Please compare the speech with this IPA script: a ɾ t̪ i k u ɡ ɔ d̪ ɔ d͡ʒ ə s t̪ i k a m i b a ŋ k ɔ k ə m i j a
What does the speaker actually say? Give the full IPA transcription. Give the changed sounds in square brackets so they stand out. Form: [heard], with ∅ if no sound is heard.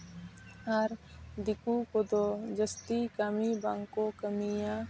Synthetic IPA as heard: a ɾ [d̪] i k u [k] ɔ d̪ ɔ d͡ʒ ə s t̪ i k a m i b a ŋ k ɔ k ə m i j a

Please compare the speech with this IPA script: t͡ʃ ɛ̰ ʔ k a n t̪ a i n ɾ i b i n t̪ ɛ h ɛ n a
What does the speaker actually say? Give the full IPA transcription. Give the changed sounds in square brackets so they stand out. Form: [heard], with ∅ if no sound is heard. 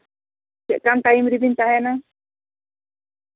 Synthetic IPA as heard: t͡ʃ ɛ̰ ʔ k a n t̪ a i [m] ɾ i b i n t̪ [a] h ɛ n a

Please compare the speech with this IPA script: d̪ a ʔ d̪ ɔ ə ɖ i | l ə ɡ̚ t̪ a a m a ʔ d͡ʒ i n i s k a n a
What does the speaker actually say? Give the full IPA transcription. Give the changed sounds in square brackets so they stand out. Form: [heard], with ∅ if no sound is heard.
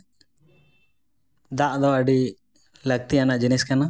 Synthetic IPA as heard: d̪ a ʔ d̪ ɔ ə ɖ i | l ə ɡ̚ t̪ [i] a [n] a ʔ d͡ʒ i n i s k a n a

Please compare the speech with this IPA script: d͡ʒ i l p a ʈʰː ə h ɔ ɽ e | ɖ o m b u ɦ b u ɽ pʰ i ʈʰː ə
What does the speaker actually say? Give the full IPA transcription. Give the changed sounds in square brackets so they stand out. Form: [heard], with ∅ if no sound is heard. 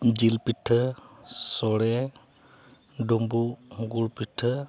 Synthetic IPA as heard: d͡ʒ i l p [i] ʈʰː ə [s] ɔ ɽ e | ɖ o m b u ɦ [ɡ] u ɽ [p] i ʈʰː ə

